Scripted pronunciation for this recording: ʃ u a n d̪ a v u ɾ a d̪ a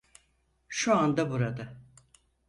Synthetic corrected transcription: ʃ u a n d̪ a b u ɾ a d̪ a